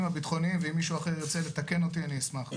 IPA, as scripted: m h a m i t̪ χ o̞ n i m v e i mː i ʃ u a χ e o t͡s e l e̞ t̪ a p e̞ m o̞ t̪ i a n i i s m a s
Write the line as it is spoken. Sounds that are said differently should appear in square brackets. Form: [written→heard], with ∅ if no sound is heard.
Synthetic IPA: m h a [m→b] i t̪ χ o̞ n i m v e i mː i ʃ u a χ e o t͡s e l e̞ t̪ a [p→k] e̞ [m→n] o̞ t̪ i a n i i s m a [s→χ]

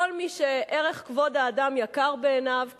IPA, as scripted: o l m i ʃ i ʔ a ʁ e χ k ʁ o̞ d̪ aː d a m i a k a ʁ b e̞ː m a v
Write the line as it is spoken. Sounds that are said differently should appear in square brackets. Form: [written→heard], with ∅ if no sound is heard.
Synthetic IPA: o l m i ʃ [i→e] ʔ [a→e] ʁ e χ k [ʁ→v] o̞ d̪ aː d a m [i→j] a k a ʁ b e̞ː [m→n] a v

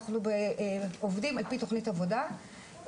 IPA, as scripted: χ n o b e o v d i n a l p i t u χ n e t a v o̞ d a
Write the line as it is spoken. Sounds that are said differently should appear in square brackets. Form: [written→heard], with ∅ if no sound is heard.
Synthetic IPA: χ n [o→u] b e o v d i [n→m] a l p i t [u→o] χ n [e→i] t a v o̞ d a

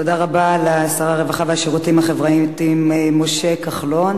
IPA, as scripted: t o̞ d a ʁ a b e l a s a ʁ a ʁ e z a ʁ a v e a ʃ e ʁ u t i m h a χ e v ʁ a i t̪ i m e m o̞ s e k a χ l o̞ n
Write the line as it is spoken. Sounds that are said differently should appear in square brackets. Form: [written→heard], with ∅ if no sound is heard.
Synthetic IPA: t o̞ d a ʁ a b [e→a] l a s a ʁ a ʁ e [z→v] a [ʁ→χ] a v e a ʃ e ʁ u t i m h a χ e v ʁ a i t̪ i m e m o̞ [s→ʃ] e k a χ l o̞ n

